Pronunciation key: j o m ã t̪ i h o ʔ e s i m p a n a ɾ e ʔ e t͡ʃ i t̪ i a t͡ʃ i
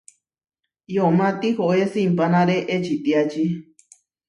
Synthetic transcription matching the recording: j o m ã t̪ i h o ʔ e s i m p a n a ɾ e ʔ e t͡ʃ i t̪ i a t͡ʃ i